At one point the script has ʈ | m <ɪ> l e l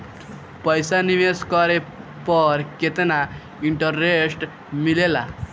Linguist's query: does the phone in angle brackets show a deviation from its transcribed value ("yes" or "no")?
yes